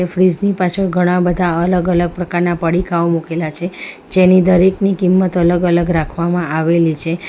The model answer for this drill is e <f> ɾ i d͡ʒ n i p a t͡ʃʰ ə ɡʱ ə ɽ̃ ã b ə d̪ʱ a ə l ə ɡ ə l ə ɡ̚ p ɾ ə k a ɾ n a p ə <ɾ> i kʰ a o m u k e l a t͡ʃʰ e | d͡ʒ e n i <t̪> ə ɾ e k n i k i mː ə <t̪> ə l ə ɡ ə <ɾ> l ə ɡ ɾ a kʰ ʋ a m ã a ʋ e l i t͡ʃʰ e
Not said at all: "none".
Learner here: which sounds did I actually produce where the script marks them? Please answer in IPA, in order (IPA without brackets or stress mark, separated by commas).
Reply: f, ɽ, d̪, t̪, none